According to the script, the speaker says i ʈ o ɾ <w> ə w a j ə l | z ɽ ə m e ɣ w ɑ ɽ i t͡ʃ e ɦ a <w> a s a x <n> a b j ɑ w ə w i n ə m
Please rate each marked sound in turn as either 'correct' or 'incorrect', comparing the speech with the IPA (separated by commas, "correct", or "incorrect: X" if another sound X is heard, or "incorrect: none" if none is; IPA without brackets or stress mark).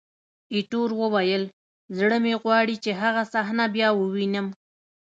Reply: correct, incorrect: ɣ, correct